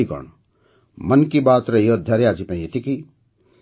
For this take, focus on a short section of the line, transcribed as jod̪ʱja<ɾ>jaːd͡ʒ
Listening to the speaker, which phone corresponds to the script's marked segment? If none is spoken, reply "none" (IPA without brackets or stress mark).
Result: ɾ